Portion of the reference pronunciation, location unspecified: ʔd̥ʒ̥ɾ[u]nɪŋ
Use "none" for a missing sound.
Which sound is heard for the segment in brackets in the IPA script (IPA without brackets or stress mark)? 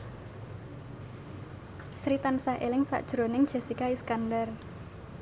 o